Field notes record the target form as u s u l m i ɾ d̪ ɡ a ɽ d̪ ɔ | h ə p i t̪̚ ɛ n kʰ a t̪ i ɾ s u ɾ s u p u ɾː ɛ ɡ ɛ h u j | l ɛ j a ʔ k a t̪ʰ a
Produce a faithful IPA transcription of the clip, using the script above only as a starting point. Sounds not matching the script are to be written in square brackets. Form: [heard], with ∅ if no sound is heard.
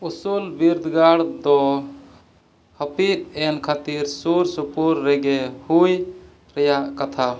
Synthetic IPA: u s u l [b] i ɾ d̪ ɡ a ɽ d̪ ɔ | h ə p i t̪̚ ɛ n kʰ a t̪ i ɾ s u ɾ s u p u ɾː ɛ ɡ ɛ h u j | [ɾ] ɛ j a ʔ k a t̪ʰ a